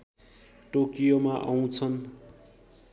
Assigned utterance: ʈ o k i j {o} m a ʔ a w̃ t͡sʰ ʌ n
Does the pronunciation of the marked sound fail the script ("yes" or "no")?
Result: no